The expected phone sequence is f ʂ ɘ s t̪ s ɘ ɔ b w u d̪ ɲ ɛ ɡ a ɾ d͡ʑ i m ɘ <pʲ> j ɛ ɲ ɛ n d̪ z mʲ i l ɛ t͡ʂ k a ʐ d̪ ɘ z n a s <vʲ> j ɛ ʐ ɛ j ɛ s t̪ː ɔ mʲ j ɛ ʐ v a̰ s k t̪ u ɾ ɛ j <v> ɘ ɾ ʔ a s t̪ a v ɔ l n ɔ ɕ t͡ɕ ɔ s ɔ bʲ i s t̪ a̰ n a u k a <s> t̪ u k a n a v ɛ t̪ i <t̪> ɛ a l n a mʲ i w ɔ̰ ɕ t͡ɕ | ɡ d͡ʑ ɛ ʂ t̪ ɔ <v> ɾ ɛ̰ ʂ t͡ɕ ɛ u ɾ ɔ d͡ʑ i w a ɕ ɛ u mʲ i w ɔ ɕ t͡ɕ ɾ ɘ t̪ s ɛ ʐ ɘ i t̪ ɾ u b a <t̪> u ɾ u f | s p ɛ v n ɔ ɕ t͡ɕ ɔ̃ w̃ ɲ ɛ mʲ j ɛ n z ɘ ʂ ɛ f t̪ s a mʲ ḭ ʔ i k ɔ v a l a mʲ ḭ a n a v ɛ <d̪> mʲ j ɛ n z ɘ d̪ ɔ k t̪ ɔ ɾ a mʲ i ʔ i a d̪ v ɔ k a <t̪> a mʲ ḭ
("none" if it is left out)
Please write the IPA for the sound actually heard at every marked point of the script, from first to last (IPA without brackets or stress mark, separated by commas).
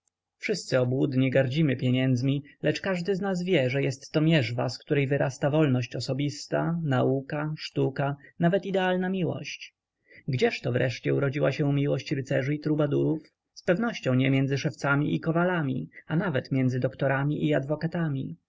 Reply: pʲ, vʲ, v, ʂ, d̪, v, d̪, t̪, t̪